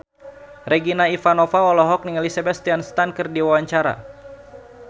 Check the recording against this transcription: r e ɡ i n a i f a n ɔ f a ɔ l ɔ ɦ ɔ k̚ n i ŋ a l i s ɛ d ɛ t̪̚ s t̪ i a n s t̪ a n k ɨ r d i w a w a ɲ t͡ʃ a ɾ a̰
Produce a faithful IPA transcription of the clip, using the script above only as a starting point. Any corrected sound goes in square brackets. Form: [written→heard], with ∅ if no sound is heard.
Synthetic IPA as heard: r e ɡ i n a i f a n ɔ f a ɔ l ɔ ɦ ɔ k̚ n i ŋ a l i s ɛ [d→b] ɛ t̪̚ s t̪ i a n s t̪ a n k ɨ r d i w a w a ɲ t͡ʃ a ɾ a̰